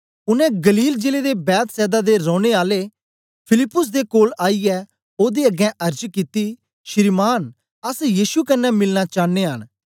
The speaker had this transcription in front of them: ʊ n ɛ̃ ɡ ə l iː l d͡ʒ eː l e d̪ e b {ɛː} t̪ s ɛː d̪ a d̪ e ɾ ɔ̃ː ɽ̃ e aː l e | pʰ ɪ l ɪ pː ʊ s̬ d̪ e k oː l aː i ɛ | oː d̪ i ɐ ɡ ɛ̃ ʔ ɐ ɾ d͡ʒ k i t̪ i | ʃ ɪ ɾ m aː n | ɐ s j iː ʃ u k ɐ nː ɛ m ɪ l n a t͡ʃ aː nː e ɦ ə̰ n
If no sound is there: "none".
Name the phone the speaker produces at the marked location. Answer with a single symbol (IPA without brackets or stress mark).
ɛː